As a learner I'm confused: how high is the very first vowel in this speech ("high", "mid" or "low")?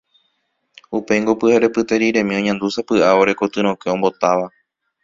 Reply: high